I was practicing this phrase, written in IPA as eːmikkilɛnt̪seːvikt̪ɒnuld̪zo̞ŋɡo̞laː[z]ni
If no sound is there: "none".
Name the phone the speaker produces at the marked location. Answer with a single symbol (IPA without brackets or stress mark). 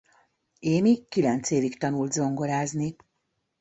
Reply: z